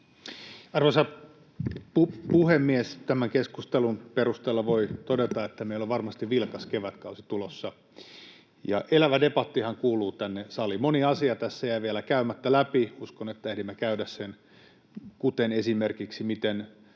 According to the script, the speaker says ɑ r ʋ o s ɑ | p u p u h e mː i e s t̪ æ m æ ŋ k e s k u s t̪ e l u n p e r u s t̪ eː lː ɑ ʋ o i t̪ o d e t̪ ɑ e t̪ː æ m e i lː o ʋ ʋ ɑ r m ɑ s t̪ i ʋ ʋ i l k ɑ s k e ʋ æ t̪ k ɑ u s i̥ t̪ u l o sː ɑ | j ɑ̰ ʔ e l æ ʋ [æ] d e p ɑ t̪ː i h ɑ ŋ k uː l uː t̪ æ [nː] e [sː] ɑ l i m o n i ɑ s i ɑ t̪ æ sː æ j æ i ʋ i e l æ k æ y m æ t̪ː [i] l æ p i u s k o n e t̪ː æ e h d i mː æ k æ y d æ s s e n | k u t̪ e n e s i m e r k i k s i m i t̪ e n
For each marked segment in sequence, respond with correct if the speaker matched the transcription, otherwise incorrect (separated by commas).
correct, correct, incorrect, incorrect